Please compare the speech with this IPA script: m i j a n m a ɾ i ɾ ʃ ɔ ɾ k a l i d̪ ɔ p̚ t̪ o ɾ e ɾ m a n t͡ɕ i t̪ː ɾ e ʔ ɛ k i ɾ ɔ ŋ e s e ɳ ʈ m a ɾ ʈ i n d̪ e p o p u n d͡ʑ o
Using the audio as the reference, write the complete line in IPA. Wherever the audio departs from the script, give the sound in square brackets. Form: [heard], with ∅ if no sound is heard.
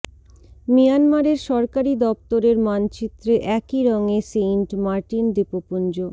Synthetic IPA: m i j a n m a ɾ [e] ɾ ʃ ɔ ɾ k a [ɾ] i d̪ ɔ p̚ t̪ o ɾ e ɾ m a n t͡ɕ i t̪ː ɾ e ʔ ɛ k i ɾ ɔ ŋ e s e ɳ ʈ m a ɾ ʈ i n d̪ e p o p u n d͡ʑ o